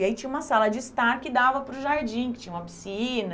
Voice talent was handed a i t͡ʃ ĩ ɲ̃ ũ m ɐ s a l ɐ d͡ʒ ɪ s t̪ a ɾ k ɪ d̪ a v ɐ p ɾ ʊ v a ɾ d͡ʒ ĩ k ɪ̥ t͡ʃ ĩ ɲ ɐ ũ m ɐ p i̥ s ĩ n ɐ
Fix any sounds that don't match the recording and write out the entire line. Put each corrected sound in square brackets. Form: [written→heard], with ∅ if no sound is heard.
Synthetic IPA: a i t͡ʃ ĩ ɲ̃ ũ m ɐ s a l ɐ d͡ʒ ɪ s t̪ a ɾ k ɪ d̪ a v ɐ p ɾ ʊ [v→ʒ] a ɾ d͡ʒ ĩ k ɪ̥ t͡ʃ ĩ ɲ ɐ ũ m ɐ p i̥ s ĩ n ɐ

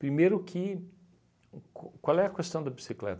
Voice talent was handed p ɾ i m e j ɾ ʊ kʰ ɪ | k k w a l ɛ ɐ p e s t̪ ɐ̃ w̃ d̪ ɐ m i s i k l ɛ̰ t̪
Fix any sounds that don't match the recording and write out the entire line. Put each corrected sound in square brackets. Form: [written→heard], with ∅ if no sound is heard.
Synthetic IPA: p ɾ i m e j ɾ ʊ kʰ ɪ | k k w a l ɛ ɐ [p→k] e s t̪ ɐ̃ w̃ d̪ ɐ [m→b] i s i k l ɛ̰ t̪

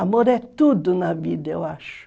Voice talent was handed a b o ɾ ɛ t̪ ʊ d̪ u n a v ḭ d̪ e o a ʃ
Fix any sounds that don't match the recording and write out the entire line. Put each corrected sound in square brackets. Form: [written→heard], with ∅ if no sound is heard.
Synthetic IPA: a [b→m] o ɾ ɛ t̪ [ʊ→u] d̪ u n a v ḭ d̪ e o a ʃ

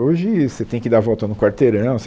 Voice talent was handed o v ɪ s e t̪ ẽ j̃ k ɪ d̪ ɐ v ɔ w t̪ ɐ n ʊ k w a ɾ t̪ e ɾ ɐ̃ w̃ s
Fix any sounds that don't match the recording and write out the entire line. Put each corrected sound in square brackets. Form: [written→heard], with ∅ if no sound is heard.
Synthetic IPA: o [v→ʒ] ɪ s e t̪ ẽ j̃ k ɪ d̪ [ɐ→a] v ɔ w t̪ ɐ n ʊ k w a ɾ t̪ e ɾ ɐ̃ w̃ s

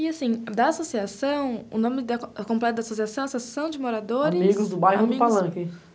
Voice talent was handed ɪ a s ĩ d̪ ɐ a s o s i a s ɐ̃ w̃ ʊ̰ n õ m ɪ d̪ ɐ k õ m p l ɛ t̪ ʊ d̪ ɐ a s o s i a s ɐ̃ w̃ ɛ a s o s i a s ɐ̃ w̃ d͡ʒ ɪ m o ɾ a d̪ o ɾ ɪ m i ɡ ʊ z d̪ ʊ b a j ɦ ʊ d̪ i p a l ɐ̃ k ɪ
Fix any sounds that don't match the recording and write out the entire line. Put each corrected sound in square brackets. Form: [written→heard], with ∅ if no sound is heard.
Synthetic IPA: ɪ a s ĩ d̪ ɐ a s o s i a s ɐ̃ w̃ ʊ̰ n õ m ɪ d̪ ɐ k õ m p l ɛ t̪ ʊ d̪ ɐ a s o s i a s ɐ̃ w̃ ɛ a s o s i a s ɐ̃ w̃ d͡ʒ ɪ m o ɾ a d̪ o ɾ ɪ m i ɡ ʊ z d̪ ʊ b a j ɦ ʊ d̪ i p a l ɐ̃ k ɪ

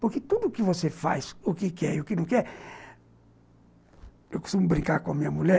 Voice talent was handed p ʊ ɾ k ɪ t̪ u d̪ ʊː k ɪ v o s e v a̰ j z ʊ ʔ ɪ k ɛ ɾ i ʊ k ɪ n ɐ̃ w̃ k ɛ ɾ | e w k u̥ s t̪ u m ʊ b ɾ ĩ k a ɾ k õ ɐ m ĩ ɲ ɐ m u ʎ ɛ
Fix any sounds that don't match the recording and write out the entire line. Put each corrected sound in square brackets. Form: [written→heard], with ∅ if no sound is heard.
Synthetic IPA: p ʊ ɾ k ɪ t̪ u d̪ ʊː k ɪ v o s e [v→f] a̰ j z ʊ [ʔ→k] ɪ k ɛ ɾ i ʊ k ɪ n ɐ̃ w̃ k ɛ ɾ | e w k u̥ s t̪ u m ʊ b ɾ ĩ k a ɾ k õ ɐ m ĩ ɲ ɐ m u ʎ ɛ

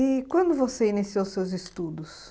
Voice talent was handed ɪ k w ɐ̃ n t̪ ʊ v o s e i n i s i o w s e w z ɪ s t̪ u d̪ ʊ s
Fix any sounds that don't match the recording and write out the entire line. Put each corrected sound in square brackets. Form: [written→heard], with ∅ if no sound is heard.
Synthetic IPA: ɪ k w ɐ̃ n [t̪→d̪] ʊ v o s e i n i s i o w s e w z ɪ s t̪ u d̪ ʊ s

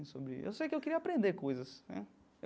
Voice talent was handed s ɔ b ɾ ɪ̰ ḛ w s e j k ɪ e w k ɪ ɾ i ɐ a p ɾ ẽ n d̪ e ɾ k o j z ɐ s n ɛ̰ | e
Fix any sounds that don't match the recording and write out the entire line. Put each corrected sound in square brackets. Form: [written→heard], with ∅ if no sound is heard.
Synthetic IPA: s [ɔ→o] b ɾ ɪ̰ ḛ w s e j k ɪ e w k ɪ ɾ i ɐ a p ɾ ẽ n d̪ e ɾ k o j z ɐ s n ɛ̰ | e

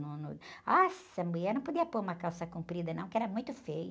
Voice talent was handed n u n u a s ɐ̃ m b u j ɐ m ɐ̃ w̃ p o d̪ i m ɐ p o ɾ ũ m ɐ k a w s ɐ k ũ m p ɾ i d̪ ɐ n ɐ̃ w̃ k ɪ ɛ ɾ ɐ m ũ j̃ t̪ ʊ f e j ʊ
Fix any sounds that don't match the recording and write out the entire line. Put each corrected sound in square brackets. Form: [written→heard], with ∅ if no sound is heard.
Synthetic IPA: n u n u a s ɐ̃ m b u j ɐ [m→n] ɐ̃ w̃ p o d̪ i [m→∅] ɐ p o ɾ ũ m ɐ k a w s ɐ k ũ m p ɾ i d̪ ɐ n ɐ̃ w̃ k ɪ ɛ ɾ ɐ m ũ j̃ t̪ ʊ f e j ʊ

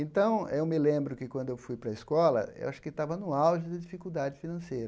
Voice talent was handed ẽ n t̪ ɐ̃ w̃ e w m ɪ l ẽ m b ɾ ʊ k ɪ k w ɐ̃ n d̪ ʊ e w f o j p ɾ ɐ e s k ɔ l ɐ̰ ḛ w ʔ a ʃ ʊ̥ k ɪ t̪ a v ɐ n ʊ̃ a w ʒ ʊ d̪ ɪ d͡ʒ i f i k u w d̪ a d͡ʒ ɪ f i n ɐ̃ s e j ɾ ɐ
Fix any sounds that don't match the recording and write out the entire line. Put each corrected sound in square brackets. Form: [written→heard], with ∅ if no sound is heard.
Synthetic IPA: ẽ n t̪ ɐ̃ w̃ e w m ɪ l ẽ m b ɾ ʊ k ɪ k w ɐ̃ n d̪ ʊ e w f [o→u] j p ɾ ɐ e s k ɔ l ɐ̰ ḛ w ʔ a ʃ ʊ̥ k ɪ t̪ a v ɐ n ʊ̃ a w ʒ ʊ d̪ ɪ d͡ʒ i f i k u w d̪ a d͡ʒ ɪ f i n ɐ̃ s e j ɾ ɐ

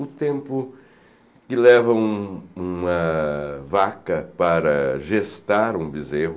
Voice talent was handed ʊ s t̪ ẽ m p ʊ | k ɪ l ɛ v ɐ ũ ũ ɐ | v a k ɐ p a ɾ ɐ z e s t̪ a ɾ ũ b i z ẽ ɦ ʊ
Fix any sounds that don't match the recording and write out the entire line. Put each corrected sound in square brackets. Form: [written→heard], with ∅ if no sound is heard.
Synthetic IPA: ʊ [s→∅] t̪ ẽ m p ʊ | k ɪ l ɛ v ɐ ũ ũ ɐ | v a k ɐ p a ɾ ɐ [z→ʒ] e s t̪ a ɾ ũ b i z [ẽ→e] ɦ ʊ

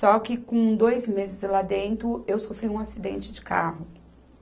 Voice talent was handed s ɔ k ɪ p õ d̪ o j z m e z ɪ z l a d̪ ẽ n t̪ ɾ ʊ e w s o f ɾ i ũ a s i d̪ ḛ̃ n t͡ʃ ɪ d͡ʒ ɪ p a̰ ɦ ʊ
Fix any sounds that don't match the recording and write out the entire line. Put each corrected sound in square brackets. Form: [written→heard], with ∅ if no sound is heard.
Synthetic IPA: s ɔ k ɪ [p→k] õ d̪ o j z m e z ɪ z l a d̪ ẽ n t̪ ɾ ʊ e w s o f ɾ i ũ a s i d̪ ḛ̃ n t͡ʃ ɪ d͡ʒ ɪ [p→k] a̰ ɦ ʊ

